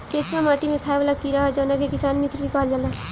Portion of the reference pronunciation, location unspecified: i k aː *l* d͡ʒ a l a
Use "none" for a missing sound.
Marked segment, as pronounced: l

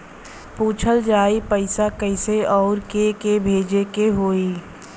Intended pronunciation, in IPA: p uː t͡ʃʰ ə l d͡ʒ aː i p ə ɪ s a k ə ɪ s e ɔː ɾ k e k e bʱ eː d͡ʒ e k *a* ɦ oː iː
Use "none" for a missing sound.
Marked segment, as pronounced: e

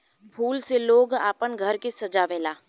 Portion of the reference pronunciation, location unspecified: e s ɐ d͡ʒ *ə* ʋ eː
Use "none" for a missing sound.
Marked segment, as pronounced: a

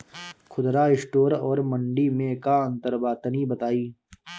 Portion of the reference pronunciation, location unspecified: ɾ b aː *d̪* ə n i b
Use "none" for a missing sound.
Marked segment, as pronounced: t̪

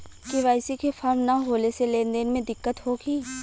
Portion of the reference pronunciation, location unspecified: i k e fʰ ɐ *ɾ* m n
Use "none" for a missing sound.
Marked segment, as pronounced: ɾ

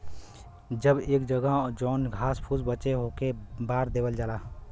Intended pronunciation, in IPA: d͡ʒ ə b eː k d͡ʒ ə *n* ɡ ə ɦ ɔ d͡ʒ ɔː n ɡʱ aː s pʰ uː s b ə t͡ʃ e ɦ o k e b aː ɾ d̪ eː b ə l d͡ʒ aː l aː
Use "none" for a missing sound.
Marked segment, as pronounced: none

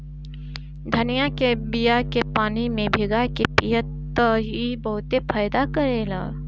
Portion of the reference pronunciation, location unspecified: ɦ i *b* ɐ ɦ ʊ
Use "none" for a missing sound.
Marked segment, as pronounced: b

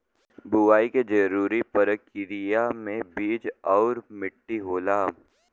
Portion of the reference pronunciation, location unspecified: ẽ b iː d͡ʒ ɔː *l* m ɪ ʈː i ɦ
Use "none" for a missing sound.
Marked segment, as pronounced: ɾ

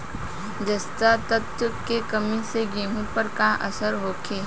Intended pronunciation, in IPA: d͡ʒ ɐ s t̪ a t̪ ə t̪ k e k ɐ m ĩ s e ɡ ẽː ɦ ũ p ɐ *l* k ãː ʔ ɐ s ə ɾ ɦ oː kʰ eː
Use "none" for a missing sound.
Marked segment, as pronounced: ɾ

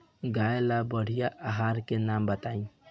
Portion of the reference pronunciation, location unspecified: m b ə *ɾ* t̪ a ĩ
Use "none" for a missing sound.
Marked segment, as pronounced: none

